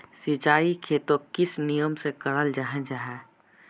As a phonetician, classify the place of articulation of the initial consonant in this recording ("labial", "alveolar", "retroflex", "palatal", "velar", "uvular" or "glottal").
alveolar